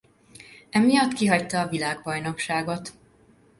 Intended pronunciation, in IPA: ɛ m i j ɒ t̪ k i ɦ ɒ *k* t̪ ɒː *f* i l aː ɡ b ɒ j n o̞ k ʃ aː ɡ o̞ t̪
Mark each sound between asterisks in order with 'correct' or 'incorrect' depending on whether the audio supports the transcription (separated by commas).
incorrect, incorrect